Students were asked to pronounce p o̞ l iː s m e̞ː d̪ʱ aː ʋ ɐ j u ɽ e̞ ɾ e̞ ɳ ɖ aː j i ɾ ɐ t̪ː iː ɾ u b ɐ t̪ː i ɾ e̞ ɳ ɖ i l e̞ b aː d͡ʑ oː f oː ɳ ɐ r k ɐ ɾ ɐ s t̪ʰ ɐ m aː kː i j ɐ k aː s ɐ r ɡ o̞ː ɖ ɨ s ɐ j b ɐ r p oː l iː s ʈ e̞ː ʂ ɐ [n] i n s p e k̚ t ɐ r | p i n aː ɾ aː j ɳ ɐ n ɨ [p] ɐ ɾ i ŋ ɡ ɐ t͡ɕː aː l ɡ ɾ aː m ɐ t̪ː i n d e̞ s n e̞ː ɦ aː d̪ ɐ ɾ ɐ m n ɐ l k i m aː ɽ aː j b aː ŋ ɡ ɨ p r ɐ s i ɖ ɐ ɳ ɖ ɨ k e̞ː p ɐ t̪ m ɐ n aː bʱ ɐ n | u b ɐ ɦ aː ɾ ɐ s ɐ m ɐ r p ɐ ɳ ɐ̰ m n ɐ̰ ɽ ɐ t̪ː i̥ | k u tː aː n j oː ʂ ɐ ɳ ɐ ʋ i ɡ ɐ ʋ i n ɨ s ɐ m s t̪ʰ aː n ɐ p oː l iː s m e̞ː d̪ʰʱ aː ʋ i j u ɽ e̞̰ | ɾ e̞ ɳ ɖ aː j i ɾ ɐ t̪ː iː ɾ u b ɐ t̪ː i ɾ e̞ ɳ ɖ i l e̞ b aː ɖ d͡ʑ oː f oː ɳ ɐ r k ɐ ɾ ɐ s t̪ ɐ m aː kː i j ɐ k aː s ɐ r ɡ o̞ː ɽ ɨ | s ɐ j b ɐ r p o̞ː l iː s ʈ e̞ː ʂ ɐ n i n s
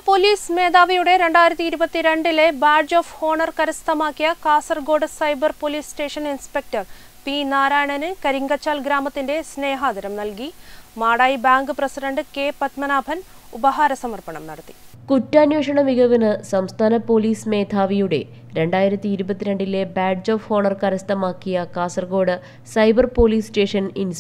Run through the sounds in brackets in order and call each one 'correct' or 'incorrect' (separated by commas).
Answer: correct, incorrect